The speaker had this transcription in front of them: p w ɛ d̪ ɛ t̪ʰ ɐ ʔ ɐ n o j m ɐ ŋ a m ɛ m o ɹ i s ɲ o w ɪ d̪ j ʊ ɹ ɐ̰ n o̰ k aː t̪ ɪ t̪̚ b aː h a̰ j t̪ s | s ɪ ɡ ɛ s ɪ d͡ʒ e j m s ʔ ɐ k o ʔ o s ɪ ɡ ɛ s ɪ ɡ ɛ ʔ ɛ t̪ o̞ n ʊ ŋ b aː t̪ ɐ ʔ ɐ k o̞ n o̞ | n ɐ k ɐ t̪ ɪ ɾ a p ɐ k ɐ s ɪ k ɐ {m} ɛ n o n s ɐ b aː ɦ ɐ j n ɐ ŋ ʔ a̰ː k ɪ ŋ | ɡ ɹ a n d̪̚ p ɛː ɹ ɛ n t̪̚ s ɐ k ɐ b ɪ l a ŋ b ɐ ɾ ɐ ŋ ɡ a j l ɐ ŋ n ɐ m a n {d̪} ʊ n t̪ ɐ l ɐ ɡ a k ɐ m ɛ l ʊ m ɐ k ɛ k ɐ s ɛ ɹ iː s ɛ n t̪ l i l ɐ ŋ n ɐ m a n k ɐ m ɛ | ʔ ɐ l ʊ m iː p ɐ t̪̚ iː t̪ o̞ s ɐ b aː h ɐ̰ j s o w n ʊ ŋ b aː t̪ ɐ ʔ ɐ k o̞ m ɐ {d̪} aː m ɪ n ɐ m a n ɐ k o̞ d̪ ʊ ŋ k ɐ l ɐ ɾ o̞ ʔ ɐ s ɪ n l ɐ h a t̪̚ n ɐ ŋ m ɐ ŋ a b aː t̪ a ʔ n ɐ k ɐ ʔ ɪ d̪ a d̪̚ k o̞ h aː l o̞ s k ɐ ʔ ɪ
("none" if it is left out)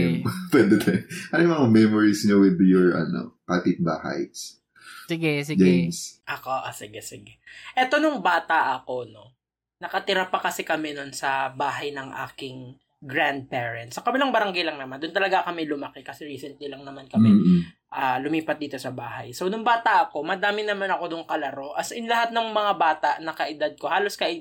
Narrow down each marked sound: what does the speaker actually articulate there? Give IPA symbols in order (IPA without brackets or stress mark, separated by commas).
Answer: m, d̪, d̪